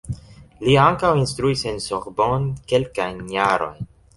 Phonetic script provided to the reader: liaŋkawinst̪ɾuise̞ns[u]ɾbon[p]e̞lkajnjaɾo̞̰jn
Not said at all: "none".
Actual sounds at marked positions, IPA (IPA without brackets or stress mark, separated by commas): o, k